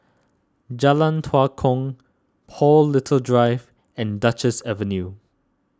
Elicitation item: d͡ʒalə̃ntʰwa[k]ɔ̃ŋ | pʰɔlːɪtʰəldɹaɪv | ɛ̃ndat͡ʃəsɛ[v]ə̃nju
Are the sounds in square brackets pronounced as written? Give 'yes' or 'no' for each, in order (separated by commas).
no, yes